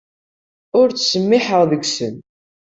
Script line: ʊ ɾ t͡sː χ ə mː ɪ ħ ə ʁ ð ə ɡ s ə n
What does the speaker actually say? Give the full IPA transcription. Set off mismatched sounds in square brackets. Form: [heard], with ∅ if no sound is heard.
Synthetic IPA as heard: ʊ ɾ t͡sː [s] ə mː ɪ ħ ə ʁ ð ə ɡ s ə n

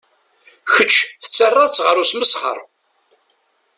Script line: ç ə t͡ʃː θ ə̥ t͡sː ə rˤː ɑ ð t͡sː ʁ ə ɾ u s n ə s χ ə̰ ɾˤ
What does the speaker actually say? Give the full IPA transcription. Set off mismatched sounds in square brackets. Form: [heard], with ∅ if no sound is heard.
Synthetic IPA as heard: ç ə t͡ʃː θ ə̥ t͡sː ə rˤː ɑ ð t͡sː ʁ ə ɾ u s [m] ə s χ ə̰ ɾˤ

